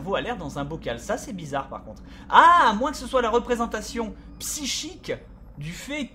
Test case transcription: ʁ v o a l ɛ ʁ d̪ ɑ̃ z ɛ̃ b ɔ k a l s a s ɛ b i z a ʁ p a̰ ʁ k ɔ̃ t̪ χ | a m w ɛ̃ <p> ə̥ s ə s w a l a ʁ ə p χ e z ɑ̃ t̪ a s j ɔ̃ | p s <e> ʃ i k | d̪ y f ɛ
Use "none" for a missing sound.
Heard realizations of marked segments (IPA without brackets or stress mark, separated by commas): k, i